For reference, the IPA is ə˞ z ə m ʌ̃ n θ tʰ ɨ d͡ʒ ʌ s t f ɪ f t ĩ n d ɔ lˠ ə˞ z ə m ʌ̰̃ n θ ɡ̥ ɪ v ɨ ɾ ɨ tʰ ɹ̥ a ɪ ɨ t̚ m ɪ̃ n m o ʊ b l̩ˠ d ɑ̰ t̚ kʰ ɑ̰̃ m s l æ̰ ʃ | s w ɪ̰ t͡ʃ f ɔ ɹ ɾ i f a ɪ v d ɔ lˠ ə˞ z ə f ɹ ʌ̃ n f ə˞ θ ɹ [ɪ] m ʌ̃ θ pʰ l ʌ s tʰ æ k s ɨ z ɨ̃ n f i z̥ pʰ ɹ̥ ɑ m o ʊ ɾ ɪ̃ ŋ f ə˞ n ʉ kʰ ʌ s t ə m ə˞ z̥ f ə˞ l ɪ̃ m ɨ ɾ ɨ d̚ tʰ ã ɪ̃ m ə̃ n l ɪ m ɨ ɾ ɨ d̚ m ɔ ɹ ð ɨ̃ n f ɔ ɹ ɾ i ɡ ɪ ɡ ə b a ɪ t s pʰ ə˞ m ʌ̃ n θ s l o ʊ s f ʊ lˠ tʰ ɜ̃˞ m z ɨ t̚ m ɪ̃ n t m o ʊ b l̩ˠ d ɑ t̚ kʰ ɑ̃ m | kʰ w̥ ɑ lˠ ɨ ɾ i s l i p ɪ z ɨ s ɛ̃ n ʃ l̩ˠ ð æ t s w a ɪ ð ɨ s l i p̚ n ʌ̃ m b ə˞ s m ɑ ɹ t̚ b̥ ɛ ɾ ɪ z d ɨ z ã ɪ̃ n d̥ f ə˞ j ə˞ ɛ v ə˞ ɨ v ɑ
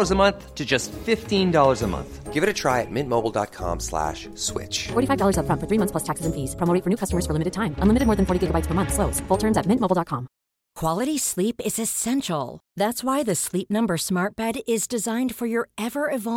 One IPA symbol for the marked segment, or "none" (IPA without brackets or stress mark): i